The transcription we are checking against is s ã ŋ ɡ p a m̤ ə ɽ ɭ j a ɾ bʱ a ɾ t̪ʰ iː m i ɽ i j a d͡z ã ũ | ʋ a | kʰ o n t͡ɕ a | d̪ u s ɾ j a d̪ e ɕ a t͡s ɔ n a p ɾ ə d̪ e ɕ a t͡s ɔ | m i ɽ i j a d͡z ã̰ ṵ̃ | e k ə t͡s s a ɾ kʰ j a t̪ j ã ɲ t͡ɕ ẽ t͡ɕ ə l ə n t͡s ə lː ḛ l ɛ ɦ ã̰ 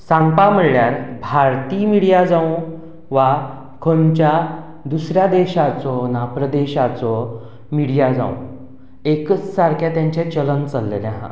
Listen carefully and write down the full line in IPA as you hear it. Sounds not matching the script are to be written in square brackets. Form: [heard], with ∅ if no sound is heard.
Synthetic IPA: s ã ŋ ɡ p a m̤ ə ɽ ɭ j a ɾ bʱ a ɾ [t̪] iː m i ɽ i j a d͡z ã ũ | ʋ a | kʰ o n t͡ɕ a | d̪ u s ɾ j a d̪ e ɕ a t͡s ɔ n a p ɾ ə d̪ e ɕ a t͡s ɔ | m i ɽ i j a d͡z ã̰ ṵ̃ | e k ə t͡s s a ɾ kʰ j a t̪ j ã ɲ t͡ɕ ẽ t͡ɕ ə l ə n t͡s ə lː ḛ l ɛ ɦ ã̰

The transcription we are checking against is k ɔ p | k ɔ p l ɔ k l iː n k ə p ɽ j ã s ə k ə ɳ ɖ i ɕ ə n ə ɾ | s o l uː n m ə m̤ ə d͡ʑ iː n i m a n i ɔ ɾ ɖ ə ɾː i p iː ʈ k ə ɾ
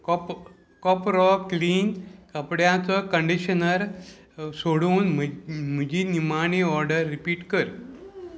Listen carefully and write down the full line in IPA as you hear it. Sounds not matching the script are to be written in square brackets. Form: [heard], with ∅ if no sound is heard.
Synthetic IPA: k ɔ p | k ɔ p [ɾ] ɔ k l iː n k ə p ɽ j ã [t͡s] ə k ə ɳ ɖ i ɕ ə n ə ɾ | s o [ɽ] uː n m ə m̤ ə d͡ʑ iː n i m a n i ɔ ɾ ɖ ə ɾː i p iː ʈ k ə ɾ

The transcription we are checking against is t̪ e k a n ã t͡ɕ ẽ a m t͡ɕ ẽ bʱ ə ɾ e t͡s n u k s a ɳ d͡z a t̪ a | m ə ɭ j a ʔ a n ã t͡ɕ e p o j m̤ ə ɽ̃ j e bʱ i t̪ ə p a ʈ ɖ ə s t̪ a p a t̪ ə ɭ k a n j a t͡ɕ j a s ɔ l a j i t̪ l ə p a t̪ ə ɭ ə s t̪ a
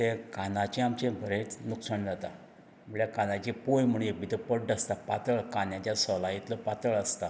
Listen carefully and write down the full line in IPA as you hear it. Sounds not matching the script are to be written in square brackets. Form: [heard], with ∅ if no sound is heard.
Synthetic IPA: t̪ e k a n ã t͡ɕ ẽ a m t͡ɕ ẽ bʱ ə ɾ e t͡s n u k s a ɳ d͡z a t̪ a | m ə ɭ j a [k] a n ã t͡ɕ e p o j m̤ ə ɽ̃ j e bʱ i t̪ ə p [ə] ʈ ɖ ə s t̪ a p a t̪ ə ɭ k a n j a t͡ɕ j a s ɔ l a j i t̪ l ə p a t̪ ə ɭ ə s t̪ a

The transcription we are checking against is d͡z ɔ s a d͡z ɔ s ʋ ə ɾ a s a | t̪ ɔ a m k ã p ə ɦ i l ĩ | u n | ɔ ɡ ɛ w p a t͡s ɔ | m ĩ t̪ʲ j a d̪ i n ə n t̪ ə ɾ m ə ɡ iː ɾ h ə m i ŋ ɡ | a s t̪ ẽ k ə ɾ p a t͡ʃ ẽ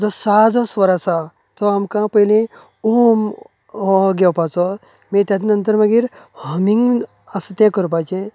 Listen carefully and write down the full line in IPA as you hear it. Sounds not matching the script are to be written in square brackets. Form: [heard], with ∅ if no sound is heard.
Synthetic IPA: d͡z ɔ s a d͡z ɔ s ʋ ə ɾ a s a | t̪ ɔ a m k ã p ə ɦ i l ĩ | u [m] | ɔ ɡ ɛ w p a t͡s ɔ | m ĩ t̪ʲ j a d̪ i n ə n t̪ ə ɾ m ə ɡ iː ɾ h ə m i ŋ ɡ | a s t̪ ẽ k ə ɾ p a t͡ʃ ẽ

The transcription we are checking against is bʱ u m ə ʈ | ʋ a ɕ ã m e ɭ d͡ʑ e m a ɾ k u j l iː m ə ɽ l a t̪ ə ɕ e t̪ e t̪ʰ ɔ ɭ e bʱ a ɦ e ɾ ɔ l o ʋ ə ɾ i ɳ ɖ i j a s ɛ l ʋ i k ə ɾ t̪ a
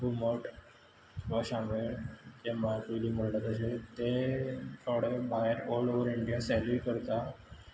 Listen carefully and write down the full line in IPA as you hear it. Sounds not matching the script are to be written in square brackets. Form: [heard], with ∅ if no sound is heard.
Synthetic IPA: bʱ u m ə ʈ | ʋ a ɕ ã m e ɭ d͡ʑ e m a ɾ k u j l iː m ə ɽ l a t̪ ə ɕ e t̪ e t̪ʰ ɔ [ɽ] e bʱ a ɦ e ɾ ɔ l o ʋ ə ɾ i ɳ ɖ i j a s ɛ l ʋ i k ə ɾ t̪ a

